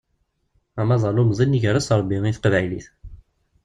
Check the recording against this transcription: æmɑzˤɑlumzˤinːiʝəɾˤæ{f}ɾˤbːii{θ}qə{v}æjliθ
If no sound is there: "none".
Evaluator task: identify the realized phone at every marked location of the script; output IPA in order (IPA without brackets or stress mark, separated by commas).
s, θ, v